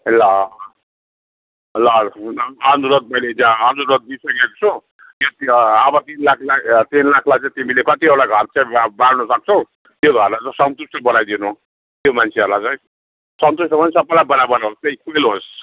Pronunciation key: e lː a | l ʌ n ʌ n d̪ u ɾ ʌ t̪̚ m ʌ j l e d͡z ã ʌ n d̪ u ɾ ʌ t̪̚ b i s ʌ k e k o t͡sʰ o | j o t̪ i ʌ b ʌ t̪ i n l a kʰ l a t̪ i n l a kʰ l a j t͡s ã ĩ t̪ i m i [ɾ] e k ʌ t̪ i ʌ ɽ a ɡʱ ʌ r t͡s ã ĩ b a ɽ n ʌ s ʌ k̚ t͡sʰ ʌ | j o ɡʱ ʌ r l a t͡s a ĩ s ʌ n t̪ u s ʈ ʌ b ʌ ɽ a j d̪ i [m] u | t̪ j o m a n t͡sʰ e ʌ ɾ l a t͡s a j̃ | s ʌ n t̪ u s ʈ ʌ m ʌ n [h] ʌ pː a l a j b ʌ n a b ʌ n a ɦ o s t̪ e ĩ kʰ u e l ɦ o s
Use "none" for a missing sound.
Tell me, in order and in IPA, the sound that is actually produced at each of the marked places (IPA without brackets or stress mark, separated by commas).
l, n, s